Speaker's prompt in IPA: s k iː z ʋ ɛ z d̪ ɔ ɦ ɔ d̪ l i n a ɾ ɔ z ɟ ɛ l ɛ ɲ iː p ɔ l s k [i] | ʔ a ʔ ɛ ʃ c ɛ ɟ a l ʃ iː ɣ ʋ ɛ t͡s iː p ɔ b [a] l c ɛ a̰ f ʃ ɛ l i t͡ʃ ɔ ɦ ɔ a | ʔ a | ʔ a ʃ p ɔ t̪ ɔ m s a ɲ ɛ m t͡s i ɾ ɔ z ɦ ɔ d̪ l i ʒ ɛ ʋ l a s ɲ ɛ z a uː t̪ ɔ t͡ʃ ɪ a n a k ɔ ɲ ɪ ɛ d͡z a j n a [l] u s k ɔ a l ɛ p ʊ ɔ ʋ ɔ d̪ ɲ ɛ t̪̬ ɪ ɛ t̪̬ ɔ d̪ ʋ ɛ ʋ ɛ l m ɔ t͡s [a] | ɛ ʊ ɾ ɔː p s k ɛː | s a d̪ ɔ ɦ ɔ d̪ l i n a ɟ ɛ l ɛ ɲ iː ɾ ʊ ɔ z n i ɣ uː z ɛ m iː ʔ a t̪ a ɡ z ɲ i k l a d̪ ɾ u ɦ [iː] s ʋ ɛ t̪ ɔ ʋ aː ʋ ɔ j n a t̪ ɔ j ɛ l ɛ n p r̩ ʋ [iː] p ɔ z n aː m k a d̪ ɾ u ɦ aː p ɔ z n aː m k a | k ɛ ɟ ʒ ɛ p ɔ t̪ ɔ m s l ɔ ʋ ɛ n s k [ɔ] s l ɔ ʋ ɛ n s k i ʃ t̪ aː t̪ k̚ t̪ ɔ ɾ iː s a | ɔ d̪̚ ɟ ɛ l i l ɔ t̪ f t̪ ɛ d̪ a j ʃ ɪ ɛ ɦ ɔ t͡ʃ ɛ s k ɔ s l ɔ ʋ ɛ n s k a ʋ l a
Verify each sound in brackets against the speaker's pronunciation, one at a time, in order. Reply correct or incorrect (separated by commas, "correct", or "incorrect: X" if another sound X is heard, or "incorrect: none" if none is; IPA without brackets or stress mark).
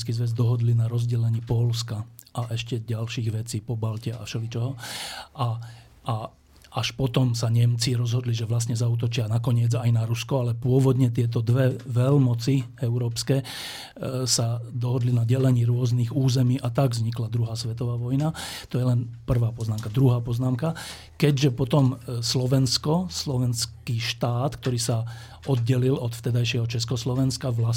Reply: incorrect: a, correct, incorrect: ɾ, incorrect: i, incorrect: aː, incorrect: aː, correct